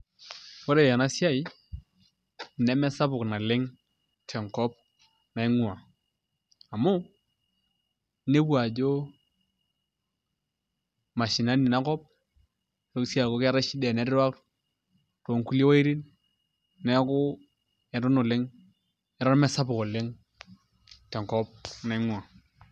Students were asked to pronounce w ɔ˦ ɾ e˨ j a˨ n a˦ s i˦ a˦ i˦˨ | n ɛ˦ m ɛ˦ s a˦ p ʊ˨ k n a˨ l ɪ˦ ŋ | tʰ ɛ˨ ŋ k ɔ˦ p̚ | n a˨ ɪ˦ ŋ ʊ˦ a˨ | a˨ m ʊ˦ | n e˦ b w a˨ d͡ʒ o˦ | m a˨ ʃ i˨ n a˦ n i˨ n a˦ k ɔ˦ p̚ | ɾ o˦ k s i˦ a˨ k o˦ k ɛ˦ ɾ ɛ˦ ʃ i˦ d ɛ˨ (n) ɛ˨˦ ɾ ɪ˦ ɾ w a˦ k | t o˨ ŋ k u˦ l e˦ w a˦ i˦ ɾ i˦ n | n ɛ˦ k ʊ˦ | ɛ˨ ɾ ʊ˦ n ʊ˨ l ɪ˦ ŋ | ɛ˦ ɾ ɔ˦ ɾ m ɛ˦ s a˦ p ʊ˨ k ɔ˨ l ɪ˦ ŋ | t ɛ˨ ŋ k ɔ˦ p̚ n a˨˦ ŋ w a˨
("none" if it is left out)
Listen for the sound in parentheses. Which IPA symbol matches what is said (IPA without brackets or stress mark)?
n